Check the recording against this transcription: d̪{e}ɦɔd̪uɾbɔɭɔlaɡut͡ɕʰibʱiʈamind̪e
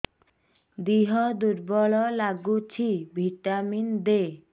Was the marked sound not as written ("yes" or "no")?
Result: yes